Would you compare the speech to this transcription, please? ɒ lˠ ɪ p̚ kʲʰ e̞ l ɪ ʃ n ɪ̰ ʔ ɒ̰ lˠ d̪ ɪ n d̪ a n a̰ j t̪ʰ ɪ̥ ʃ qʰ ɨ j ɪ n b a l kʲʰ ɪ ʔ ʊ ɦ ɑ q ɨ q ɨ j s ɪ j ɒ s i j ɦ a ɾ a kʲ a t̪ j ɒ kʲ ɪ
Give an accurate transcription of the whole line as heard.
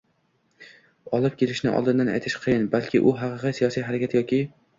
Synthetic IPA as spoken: ɒ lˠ ɪ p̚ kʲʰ e̞ l ɪ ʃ n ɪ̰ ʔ ɒ̰ lˠ d̪ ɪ n d̪ a n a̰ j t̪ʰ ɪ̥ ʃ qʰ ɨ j ɪ n b a l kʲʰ ɪ ʔ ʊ ɦ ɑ q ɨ q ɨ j s i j ɒ s i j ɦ a ɾ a kʲ a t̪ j ɒ kʲ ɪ